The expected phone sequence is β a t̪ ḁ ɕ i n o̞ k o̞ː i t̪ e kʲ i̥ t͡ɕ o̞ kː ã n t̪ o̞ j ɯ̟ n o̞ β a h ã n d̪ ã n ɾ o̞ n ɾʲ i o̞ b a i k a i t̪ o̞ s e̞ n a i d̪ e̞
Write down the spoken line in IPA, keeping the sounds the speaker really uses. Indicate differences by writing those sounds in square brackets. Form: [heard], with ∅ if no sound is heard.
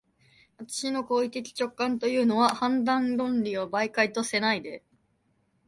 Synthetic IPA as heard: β a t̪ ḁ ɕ i n o̞ k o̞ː i t̪ e kʲ i̥ t͡ɕ o̞ kː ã n t̪ o̞ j [ɯ̟ː] n o̞ β a h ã n d̪ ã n ɾ [õ̞] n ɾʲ i o̞ b a i k a i t̪ o̞ s e̞ n a i d̪ e̞